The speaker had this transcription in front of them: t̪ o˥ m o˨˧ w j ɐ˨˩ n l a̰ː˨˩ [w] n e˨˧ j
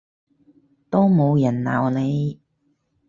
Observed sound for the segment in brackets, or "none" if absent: w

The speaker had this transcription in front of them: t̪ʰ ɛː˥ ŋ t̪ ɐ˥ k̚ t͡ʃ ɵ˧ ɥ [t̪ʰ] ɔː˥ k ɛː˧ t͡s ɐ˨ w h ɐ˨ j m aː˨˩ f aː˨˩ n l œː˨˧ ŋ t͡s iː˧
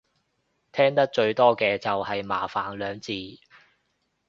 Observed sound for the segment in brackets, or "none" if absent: t̪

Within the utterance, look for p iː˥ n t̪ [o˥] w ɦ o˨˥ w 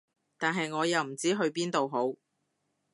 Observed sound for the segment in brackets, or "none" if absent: o˨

